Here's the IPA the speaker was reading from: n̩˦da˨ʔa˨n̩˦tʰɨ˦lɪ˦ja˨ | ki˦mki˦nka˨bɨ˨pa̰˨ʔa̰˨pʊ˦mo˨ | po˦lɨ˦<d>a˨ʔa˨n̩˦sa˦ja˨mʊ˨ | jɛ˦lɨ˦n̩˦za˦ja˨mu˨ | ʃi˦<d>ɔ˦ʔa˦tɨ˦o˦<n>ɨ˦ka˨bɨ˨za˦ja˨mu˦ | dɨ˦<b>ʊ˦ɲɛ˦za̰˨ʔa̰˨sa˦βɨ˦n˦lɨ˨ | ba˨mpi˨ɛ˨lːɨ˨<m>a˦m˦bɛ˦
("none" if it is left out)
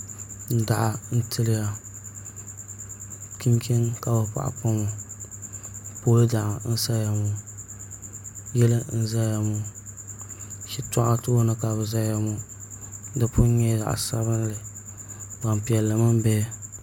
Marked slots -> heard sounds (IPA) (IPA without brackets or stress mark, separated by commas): d, t, n, p, m